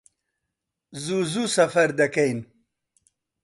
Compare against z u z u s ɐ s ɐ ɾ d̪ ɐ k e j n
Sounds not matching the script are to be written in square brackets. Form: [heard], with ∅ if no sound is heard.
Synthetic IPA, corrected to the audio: z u z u s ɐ [f] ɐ ɾ d̪ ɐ k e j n